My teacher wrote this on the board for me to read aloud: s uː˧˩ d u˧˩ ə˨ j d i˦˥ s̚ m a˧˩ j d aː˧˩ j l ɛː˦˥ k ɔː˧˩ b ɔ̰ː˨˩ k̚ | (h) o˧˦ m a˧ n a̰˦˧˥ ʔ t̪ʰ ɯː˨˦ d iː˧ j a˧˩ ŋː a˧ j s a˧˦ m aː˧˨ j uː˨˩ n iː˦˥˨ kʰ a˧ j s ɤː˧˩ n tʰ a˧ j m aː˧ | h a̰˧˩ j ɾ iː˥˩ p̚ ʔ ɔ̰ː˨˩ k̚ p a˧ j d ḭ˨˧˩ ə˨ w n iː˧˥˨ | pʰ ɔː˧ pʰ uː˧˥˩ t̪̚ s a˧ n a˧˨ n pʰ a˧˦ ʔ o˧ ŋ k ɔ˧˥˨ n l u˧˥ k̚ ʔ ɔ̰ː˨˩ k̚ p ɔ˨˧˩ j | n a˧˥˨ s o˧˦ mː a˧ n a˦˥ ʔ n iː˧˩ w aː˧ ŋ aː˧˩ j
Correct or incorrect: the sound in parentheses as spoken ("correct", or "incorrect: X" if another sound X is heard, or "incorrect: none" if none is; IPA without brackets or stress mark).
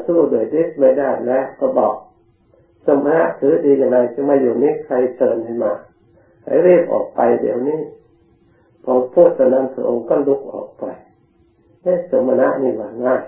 incorrect: s